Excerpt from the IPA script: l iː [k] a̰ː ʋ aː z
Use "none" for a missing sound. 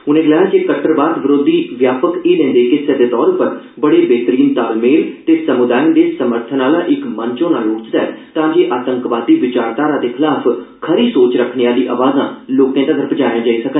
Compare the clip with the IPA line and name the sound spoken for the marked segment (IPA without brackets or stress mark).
ʔ